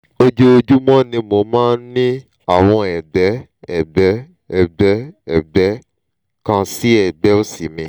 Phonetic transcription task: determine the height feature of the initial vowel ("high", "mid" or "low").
mid